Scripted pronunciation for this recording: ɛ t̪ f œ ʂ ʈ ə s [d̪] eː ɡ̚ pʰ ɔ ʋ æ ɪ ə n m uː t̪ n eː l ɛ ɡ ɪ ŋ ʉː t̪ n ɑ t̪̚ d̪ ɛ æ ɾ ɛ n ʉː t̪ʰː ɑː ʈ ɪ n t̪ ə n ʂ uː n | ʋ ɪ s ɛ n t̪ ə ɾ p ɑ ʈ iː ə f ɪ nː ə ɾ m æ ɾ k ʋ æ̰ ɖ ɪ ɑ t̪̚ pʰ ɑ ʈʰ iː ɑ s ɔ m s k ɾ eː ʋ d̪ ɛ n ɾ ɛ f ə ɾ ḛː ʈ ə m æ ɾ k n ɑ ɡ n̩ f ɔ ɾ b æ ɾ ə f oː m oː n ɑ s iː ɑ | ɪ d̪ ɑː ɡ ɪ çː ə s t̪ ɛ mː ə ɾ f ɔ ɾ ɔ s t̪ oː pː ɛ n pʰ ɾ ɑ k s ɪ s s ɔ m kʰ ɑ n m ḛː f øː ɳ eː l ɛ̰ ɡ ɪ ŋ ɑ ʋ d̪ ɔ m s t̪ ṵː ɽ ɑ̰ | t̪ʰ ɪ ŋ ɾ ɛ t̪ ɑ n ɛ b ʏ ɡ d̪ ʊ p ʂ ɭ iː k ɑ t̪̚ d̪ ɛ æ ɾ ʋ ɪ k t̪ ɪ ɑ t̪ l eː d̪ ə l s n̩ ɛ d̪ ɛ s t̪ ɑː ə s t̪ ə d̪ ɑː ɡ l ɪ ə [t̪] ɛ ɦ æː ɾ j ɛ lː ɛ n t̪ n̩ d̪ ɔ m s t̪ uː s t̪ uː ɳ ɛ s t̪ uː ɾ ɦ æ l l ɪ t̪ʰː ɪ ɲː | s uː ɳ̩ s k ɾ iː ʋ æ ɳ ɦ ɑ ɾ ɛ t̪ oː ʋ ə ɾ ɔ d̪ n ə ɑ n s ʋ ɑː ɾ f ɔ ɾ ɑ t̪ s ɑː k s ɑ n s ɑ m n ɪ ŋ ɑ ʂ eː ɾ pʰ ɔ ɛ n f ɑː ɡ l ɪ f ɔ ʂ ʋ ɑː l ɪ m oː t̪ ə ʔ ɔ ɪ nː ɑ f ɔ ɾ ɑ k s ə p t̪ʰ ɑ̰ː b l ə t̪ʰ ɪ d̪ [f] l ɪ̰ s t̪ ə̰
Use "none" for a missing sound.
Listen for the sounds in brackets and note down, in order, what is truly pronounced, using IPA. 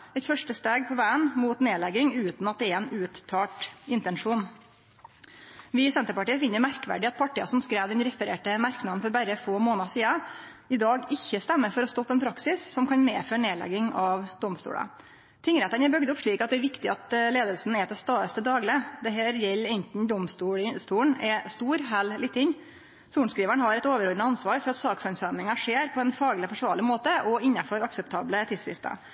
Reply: t̪, d̪, s

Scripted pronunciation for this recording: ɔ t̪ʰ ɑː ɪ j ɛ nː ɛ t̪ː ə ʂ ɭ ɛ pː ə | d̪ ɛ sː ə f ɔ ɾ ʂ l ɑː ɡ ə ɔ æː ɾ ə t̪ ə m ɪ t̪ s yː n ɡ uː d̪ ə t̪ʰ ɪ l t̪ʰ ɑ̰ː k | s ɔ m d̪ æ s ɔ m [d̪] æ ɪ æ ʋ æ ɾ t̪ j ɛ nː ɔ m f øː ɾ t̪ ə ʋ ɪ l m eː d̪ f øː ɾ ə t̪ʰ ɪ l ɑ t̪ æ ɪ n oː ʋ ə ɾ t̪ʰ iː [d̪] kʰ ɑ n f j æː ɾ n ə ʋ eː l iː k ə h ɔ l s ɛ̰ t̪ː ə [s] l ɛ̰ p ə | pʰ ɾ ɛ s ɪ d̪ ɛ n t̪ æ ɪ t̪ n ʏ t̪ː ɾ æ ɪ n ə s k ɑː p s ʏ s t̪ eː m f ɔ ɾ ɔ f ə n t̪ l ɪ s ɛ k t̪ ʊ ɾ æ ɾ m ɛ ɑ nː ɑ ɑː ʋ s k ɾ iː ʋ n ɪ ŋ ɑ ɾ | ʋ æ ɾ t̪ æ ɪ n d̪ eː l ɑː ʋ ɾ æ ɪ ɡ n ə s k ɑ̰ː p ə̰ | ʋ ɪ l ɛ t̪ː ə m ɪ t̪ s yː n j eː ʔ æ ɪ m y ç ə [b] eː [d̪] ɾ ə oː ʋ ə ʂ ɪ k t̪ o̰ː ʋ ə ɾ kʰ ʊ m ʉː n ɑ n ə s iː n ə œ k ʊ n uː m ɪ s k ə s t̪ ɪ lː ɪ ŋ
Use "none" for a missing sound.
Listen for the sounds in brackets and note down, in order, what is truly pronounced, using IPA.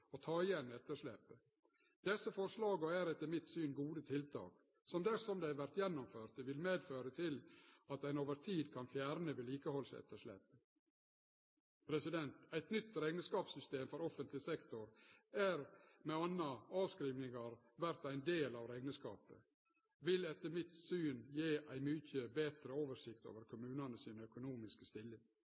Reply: d̪, d̪, ʂ, b, t̪

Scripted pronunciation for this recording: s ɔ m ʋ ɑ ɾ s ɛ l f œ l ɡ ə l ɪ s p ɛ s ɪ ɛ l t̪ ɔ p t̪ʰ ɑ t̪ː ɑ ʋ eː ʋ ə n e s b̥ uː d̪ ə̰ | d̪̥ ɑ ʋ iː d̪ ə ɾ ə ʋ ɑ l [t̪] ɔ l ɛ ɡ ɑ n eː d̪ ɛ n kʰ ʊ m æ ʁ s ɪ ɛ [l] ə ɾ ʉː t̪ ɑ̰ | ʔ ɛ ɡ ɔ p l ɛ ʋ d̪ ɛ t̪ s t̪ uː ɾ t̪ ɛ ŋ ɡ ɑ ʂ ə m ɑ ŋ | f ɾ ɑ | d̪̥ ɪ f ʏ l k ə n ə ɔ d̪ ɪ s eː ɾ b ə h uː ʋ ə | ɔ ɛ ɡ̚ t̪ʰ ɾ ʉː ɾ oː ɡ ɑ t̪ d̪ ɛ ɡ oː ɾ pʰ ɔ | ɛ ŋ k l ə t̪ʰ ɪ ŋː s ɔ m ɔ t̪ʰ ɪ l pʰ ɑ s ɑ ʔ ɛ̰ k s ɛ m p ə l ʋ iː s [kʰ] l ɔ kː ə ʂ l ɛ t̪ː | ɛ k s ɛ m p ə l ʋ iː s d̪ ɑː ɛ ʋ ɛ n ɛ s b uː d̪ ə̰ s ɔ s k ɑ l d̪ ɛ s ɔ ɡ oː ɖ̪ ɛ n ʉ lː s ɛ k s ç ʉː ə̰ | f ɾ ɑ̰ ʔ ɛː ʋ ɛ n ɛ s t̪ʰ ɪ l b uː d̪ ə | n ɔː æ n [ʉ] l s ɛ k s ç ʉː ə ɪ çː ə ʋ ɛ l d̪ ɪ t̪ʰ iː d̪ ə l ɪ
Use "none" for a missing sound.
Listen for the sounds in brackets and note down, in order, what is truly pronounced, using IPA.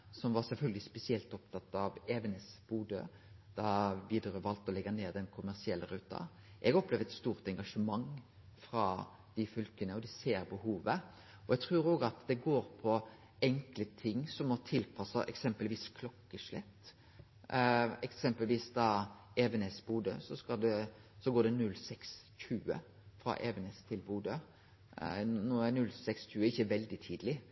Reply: t̪, lː, kʰ, ʉ

